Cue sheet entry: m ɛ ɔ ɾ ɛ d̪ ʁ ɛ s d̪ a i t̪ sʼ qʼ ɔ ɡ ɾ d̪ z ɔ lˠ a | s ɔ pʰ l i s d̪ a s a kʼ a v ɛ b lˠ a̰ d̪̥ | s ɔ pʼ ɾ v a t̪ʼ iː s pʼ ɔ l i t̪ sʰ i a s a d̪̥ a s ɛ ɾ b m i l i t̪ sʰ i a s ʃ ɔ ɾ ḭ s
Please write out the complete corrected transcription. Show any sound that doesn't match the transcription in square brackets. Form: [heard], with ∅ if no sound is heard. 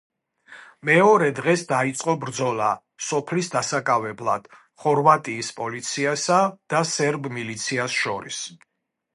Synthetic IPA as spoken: m ɛ ɔ ɾ ɛ d̪ ʁ ɛ s d̪ a i t̪ sʼ qʼ ɔ [b] ɾ d̪ z ɔ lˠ a | s ɔ pʰ l i s d̪ a s a kʼ a v ɛ b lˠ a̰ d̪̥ | [χ] ɔ [∅] ɾ v a t̪ʼ iː s pʼ ɔ l i t̪ sʰ i a s a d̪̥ a s ɛ ɾ b m i l i t̪ sʰ i a s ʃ ɔ ɾ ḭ s